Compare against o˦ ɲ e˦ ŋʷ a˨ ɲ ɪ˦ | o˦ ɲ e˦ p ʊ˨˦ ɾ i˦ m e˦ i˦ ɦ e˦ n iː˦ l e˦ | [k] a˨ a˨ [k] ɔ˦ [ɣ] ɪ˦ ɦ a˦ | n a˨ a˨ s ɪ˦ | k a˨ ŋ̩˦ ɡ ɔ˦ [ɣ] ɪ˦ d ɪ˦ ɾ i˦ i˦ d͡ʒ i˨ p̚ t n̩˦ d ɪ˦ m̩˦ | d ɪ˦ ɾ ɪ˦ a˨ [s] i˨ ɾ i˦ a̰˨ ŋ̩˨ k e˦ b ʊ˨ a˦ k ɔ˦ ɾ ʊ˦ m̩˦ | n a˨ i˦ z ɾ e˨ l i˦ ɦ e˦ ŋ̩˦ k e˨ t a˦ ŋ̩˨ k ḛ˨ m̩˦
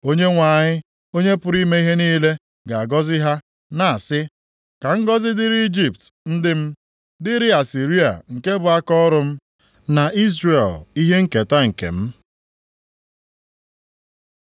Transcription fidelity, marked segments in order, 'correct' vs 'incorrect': incorrect, incorrect, incorrect, incorrect, correct

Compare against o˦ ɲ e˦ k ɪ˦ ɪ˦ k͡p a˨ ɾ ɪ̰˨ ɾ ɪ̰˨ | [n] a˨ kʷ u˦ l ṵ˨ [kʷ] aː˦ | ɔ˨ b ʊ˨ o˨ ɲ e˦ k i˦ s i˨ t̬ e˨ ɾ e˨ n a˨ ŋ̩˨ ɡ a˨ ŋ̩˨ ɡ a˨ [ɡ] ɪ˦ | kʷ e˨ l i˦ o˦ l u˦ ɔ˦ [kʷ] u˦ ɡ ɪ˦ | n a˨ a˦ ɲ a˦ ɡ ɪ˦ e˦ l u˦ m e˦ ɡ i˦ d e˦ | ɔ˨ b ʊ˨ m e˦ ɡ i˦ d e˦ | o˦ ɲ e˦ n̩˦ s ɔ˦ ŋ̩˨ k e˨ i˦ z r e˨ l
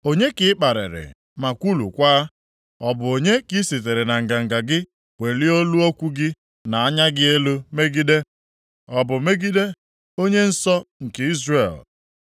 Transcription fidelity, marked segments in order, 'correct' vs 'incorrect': incorrect, correct, correct, correct

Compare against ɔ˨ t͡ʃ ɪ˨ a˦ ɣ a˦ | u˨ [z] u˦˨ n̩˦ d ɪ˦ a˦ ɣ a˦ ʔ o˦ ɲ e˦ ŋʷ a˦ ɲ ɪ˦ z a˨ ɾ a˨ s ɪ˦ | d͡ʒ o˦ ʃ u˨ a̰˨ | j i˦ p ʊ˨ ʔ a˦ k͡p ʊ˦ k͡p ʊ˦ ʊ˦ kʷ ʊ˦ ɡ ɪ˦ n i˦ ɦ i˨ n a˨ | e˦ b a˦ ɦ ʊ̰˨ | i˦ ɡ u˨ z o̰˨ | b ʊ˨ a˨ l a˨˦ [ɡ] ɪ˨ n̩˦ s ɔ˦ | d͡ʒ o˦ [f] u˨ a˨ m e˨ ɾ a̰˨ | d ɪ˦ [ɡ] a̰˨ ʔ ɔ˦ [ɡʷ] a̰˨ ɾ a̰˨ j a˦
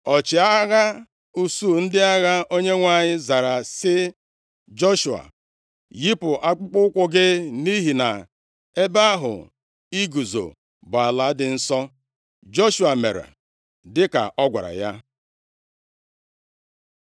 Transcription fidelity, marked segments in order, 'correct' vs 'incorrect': incorrect, incorrect, incorrect, incorrect, correct

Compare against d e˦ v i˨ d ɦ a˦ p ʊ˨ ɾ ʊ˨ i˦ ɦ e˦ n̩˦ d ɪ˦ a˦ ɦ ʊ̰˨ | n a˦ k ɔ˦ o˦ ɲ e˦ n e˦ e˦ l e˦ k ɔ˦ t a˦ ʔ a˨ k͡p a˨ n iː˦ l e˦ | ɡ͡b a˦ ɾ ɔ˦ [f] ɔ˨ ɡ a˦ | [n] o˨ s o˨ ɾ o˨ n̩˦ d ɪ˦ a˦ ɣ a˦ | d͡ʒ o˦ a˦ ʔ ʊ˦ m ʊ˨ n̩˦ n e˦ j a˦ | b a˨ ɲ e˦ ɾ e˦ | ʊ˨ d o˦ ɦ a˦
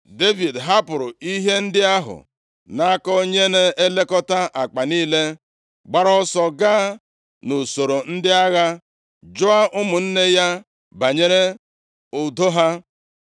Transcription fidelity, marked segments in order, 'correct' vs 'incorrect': incorrect, correct

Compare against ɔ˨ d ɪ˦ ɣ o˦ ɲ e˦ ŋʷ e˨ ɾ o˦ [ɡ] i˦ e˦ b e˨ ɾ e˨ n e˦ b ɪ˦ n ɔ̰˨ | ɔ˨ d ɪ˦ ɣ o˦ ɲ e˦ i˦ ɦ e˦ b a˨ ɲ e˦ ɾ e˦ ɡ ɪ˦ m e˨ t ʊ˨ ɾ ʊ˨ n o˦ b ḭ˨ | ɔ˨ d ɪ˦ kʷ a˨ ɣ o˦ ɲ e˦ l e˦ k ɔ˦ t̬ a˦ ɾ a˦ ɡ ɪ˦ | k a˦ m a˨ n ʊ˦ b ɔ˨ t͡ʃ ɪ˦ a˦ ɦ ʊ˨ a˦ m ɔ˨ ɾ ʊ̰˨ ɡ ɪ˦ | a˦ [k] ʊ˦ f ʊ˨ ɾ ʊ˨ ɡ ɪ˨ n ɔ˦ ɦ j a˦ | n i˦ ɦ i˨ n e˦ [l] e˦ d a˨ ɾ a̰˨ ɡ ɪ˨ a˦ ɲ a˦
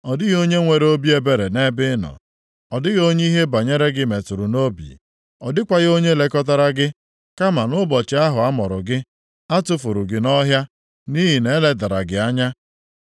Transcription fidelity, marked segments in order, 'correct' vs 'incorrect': incorrect, incorrect, correct

